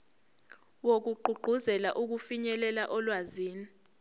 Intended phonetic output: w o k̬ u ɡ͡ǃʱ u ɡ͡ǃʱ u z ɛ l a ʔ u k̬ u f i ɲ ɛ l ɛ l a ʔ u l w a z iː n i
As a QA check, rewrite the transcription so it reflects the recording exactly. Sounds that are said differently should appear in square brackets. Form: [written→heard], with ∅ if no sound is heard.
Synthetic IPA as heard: w o k̬ u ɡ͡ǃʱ u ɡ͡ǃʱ u z ɛ l a ʔ u k̬ u f i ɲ ɛ l ɛ l a ʔ [u→ɔ] l w a z iː n i